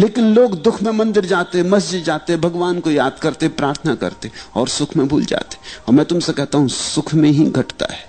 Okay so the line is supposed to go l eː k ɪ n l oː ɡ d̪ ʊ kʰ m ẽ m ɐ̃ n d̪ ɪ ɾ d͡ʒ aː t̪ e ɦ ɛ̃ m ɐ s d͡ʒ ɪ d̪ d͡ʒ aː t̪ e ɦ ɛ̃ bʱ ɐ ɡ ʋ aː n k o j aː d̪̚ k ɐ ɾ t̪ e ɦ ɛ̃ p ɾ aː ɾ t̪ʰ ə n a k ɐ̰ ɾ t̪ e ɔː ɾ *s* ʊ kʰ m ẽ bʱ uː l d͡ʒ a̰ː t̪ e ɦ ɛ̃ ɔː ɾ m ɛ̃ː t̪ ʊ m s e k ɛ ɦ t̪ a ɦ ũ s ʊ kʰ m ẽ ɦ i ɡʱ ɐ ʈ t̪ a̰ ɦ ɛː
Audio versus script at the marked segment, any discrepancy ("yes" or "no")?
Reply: no